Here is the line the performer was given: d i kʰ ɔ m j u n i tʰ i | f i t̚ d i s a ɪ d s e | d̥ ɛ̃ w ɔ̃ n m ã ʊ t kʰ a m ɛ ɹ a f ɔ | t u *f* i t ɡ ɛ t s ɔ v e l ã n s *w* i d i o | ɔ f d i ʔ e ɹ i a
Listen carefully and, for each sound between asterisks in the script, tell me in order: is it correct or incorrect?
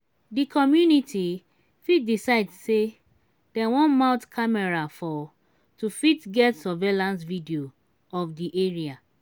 correct, incorrect: v

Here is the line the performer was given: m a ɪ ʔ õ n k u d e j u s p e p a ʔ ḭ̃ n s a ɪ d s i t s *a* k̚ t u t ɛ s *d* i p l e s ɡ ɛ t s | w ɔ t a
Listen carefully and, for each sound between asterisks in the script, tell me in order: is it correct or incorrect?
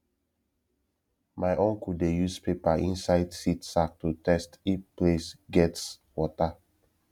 correct, incorrect: t

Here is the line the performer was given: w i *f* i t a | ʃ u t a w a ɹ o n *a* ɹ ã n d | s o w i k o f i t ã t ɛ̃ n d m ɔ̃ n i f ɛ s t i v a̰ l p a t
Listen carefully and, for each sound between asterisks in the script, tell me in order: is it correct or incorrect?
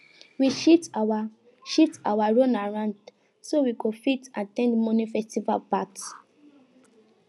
incorrect: ʃ, correct

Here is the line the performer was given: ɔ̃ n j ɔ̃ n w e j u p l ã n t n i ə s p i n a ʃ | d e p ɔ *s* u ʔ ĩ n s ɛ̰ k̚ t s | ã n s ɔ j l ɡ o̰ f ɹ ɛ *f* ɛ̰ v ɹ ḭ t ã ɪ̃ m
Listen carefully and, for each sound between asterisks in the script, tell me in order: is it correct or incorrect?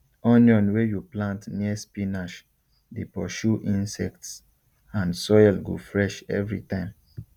incorrect: ʃ, incorrect: ʃ

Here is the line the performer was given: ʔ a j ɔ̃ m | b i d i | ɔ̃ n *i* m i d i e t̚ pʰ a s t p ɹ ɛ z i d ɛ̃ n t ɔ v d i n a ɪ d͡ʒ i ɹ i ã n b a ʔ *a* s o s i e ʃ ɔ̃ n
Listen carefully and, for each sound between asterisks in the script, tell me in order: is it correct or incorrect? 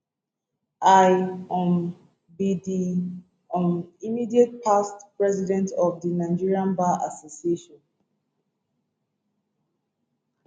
correct, correct

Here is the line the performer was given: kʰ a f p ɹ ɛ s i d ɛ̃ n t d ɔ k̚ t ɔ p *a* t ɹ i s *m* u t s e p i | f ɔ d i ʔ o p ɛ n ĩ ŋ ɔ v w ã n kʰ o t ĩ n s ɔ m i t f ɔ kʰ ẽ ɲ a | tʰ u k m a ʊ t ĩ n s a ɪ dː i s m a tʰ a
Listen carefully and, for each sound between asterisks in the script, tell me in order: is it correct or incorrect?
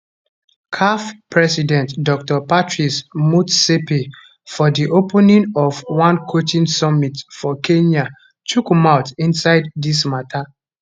correct, correct

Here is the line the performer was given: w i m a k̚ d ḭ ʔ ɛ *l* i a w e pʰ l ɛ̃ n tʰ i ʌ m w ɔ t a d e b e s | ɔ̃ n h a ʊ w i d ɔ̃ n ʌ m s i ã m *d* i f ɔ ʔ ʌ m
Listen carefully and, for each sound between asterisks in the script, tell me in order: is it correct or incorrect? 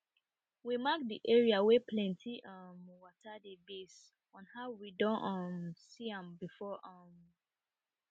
incorrect: ɹ, incorrect: b

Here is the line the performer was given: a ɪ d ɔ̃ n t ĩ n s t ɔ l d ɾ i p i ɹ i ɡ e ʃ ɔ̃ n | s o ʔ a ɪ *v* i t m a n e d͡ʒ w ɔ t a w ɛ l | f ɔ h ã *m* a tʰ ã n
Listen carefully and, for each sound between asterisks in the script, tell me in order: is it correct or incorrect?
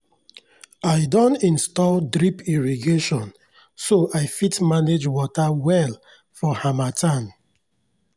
incorrect: f, correct

